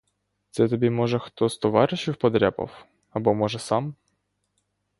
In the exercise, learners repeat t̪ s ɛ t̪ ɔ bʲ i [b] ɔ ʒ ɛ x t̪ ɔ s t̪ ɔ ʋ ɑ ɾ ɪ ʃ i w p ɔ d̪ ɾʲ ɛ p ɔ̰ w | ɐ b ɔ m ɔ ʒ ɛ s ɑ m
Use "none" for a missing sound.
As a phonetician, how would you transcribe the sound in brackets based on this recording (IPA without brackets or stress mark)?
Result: m